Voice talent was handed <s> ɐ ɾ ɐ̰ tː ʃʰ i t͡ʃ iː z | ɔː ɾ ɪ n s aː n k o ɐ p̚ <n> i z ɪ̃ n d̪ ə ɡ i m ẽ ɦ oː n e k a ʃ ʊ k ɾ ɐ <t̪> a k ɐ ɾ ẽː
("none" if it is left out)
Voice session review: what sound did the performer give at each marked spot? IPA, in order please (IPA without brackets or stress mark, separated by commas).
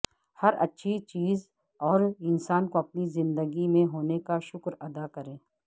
h, n, d̪